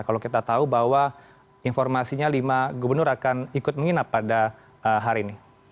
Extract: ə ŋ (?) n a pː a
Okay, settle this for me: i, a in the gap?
i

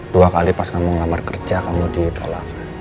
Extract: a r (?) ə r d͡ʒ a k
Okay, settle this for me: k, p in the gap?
k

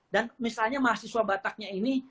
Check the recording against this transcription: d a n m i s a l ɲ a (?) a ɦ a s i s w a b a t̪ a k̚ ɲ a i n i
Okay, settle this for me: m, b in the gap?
m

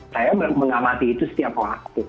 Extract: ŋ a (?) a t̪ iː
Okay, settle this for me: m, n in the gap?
m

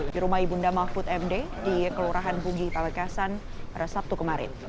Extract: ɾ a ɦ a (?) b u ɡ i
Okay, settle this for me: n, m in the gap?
n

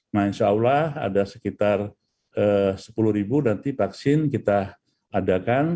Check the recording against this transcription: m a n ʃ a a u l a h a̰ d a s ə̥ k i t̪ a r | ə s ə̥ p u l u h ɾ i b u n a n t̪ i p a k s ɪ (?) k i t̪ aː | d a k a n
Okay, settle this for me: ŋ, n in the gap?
n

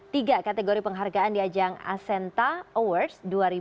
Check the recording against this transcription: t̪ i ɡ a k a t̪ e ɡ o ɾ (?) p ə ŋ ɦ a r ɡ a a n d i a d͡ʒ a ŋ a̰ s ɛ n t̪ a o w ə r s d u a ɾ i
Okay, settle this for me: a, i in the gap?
i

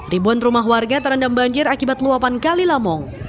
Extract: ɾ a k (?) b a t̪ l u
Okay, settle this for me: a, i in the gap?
i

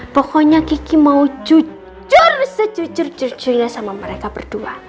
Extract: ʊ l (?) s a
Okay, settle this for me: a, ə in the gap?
a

